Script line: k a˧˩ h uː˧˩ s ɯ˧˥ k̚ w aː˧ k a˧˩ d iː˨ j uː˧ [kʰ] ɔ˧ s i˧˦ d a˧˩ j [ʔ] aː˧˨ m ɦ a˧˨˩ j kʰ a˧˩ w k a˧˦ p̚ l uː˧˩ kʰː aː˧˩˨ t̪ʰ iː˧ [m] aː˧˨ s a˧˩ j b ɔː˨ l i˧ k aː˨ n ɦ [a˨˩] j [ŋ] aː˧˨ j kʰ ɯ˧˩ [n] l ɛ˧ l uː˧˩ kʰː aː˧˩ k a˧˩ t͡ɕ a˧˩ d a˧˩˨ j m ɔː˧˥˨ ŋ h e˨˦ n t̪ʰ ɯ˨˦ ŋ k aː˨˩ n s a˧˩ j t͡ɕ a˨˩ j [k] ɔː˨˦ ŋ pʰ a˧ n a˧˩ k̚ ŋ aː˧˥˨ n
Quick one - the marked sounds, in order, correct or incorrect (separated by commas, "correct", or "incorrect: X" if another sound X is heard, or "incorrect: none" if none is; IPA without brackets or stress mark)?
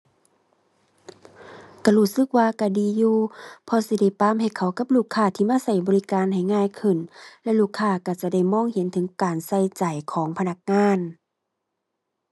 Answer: incorrect: pʰ, incorrect: p, correct, correct, correct, correct, incorrect: kʰ